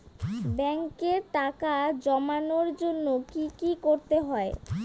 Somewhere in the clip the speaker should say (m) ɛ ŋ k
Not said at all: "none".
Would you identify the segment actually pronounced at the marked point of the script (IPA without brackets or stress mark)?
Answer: b